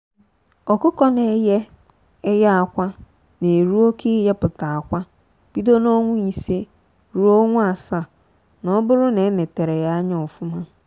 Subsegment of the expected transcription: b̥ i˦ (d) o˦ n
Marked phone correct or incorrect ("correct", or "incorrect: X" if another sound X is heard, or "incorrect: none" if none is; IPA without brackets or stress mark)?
correct